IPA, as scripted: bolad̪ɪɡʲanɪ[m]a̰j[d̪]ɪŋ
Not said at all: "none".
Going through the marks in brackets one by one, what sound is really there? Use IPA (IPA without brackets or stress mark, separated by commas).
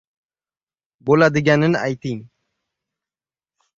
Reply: n, t̪